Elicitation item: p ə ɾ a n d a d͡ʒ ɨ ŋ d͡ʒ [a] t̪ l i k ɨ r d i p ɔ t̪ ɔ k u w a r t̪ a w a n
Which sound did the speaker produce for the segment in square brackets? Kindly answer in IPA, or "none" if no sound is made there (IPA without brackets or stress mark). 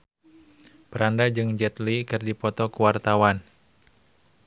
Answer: ɛ